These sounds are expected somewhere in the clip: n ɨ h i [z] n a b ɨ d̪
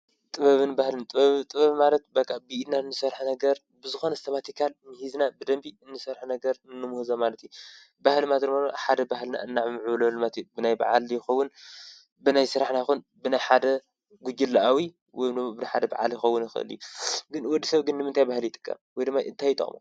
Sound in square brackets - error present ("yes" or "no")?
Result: no